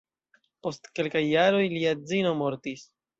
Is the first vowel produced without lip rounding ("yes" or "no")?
no